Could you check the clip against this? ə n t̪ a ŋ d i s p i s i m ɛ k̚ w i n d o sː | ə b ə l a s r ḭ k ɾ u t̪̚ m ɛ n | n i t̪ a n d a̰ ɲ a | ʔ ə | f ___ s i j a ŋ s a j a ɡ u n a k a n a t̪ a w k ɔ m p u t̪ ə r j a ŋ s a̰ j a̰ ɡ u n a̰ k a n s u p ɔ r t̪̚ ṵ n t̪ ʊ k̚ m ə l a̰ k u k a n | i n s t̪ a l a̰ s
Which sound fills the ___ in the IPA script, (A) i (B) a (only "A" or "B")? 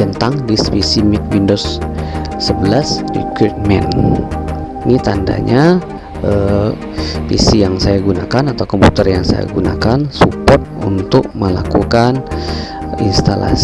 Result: A